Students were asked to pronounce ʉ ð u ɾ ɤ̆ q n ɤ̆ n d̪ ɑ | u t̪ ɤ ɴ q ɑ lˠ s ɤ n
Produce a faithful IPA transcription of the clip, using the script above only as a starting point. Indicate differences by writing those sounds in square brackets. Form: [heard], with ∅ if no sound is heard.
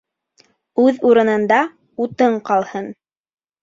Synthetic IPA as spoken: ʉ ð u ɾ ɤ̆ [∅] n ɤ̆ n d̪ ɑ | u t̪ ɤ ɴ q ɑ lˠ [h] ɤ n